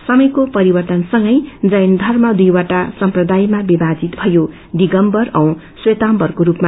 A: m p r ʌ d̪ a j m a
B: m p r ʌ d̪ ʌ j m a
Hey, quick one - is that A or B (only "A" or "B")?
A